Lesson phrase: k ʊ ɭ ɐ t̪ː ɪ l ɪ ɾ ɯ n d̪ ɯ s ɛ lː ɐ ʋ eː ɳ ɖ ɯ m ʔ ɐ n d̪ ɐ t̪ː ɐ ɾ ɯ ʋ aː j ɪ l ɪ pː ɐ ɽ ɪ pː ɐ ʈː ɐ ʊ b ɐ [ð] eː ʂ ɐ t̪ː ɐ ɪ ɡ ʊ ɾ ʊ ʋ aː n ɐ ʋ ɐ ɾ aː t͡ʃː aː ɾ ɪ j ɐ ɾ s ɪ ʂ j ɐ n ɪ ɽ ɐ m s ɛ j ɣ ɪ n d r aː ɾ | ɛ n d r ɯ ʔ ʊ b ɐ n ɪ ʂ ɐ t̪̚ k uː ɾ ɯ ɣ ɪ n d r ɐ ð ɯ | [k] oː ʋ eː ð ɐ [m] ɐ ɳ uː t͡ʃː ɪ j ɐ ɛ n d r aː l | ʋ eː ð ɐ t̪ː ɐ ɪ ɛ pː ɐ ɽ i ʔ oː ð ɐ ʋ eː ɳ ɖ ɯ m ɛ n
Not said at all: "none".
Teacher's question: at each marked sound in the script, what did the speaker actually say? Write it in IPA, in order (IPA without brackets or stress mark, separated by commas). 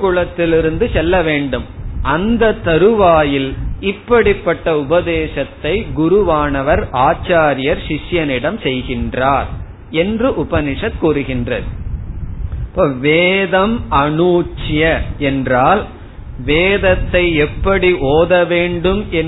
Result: ð, p, m